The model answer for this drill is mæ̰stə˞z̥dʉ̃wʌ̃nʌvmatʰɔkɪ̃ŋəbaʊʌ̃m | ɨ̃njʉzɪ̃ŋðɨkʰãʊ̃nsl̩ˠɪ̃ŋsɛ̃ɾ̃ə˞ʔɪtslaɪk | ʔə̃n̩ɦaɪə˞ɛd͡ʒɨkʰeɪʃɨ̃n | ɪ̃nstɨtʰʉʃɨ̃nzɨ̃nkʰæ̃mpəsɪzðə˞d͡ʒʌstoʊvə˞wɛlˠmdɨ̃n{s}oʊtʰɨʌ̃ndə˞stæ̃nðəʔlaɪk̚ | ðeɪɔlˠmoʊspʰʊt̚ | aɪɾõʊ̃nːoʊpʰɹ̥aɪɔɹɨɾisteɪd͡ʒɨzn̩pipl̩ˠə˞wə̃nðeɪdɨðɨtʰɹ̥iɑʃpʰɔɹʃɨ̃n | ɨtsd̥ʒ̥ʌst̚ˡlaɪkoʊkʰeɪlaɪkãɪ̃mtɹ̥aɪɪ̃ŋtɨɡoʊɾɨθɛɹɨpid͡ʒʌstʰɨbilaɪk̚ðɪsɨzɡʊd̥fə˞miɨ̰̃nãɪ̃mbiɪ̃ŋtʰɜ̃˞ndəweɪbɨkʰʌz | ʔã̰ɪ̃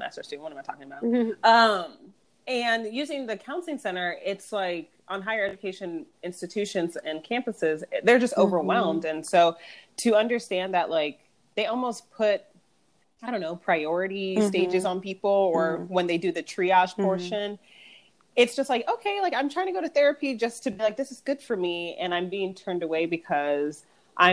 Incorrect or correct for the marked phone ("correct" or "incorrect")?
correct